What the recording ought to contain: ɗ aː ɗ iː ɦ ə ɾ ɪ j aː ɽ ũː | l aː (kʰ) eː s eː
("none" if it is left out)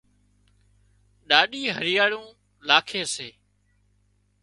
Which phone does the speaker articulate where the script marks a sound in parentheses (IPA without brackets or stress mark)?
kʰ